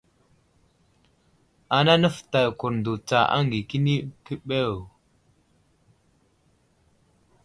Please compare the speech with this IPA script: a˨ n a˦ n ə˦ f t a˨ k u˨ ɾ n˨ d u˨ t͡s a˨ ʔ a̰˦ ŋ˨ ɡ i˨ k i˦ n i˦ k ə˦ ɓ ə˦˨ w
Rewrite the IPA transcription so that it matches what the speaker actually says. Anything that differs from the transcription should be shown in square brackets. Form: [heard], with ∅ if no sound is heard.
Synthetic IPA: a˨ n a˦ n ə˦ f t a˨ k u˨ ɾ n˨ d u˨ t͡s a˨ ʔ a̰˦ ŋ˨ ɡ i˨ k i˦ n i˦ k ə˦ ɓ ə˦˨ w